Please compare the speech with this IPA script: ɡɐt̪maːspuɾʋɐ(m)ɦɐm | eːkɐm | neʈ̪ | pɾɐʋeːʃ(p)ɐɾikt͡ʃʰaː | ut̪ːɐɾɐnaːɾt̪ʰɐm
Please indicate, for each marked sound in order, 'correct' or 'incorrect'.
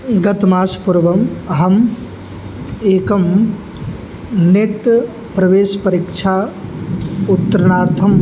correct, correct

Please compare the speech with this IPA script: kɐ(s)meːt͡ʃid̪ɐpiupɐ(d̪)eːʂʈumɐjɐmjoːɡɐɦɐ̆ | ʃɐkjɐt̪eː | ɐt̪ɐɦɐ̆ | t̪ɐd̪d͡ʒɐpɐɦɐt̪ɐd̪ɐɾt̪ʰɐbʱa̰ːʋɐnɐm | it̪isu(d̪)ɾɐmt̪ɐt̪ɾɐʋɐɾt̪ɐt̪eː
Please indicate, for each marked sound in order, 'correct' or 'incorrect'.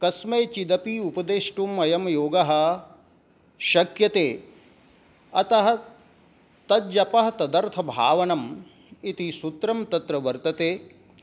correct, correct, incorrect

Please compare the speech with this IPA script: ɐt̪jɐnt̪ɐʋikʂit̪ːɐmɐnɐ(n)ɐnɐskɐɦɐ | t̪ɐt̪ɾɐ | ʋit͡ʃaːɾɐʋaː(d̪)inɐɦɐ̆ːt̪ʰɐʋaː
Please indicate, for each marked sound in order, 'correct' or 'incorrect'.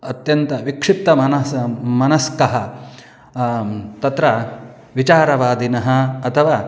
incorrect, correct

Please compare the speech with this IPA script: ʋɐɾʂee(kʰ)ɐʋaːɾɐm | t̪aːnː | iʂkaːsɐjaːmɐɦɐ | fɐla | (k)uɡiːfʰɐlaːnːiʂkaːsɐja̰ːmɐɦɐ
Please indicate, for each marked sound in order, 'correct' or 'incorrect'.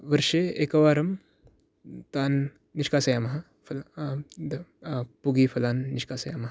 incorrect, incorrect

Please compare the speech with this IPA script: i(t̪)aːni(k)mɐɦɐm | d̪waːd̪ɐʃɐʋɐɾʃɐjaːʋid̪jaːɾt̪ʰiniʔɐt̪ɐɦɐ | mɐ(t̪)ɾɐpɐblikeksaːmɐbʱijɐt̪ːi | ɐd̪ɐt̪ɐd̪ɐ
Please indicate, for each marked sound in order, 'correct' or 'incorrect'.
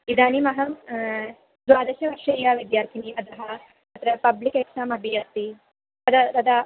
incorrect, incorrect, correct

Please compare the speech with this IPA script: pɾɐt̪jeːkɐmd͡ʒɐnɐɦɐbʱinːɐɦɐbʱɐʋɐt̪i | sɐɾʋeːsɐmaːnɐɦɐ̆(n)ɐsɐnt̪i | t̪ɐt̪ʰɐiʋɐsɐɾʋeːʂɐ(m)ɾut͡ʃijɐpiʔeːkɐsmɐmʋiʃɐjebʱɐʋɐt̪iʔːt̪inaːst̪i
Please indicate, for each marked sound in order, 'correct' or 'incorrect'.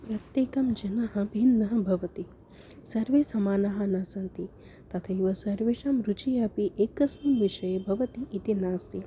correct, correct

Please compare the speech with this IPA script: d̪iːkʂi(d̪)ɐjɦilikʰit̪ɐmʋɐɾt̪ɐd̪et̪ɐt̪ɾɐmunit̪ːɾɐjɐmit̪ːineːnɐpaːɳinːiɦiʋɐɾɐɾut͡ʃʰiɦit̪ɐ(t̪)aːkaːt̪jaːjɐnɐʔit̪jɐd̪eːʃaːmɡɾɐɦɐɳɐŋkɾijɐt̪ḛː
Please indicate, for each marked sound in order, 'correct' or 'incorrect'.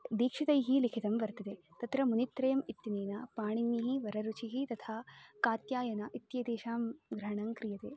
incorrect, incorrect

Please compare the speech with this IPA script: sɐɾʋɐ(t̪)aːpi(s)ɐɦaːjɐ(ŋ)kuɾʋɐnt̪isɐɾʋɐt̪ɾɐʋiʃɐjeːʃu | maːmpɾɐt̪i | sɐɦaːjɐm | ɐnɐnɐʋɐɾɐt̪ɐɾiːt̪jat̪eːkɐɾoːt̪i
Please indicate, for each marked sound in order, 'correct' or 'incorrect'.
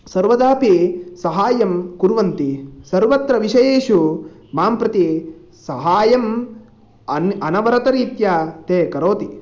incorrect, correct, incorrect

